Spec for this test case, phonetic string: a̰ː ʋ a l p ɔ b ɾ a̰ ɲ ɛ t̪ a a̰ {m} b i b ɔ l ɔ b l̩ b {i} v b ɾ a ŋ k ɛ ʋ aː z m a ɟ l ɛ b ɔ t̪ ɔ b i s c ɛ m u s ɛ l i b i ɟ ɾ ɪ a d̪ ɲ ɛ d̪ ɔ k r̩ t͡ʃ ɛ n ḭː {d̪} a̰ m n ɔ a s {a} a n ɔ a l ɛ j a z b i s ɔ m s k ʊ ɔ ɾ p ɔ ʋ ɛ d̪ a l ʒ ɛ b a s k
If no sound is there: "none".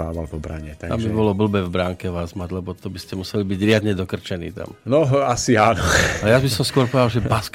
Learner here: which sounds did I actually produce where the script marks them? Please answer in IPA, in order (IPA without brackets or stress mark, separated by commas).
m, ɛ, t̪, i